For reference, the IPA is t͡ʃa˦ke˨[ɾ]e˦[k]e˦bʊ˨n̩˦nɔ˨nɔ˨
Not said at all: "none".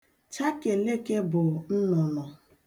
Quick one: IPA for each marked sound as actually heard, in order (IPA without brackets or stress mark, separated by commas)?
l, k